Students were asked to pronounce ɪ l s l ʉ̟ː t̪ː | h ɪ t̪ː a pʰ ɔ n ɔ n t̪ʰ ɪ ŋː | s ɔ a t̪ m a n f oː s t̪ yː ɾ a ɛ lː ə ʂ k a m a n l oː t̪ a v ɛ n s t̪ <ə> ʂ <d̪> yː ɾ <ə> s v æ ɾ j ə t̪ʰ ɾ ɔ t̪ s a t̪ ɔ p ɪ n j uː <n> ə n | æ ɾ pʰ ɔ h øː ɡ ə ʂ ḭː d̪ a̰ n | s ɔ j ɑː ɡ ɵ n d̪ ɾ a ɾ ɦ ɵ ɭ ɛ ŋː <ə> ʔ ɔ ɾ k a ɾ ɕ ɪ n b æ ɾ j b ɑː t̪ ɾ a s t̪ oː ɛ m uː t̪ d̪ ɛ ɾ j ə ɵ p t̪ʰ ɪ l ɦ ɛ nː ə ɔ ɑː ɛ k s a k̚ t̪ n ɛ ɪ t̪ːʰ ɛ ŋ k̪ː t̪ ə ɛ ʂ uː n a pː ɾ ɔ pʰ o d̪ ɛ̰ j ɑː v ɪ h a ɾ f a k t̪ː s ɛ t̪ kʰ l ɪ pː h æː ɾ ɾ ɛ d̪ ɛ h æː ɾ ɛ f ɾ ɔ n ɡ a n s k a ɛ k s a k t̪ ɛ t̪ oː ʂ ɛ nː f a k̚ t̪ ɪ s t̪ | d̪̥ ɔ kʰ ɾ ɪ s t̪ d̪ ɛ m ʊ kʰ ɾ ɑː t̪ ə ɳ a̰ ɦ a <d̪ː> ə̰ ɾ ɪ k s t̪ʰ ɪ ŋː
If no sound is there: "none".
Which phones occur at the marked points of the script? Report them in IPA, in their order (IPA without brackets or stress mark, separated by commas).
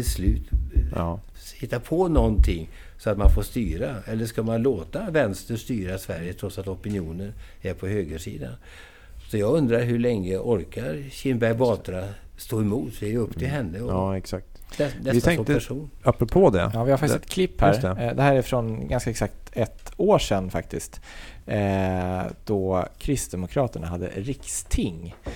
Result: ə, t̪, a, n, ə, d̪ː